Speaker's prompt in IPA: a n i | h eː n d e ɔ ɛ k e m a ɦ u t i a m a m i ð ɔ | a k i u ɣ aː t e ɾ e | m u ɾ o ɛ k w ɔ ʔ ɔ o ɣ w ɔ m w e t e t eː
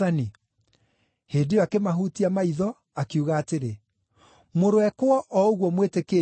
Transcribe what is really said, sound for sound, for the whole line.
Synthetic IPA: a n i | h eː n d e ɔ a k e m a ɦ u t i a m a i ð ɔ | a k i u ɣ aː t e ɾ e | m o ɾ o ɛ k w ɔ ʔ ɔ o ɣ w ɔ m w e t e k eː